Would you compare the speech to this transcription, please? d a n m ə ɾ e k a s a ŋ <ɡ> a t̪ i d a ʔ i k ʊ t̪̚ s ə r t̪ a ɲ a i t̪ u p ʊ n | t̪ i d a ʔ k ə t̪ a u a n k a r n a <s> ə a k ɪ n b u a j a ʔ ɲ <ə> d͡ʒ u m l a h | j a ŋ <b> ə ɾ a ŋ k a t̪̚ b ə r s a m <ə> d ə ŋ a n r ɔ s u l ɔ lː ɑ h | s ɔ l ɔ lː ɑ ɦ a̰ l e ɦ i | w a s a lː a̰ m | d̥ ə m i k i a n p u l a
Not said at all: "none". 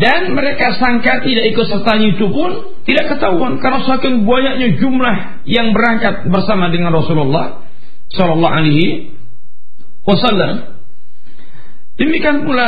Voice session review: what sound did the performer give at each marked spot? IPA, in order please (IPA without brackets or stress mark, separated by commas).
k, s, a, b, a